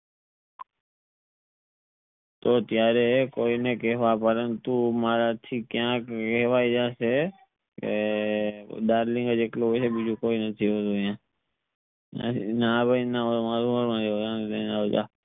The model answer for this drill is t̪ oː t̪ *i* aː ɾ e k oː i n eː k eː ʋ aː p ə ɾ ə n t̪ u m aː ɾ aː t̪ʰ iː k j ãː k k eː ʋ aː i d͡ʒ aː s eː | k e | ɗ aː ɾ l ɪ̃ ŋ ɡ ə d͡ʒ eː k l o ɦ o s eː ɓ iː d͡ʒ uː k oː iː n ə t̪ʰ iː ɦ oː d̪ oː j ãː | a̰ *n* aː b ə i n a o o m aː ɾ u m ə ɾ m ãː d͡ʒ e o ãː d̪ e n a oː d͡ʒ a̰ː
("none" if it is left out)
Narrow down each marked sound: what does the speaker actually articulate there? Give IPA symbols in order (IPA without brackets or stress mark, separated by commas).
j, n